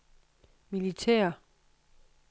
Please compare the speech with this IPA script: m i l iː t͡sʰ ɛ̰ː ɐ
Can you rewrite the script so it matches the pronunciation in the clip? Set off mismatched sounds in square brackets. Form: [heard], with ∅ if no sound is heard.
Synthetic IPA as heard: m i l [i] t͡sʰ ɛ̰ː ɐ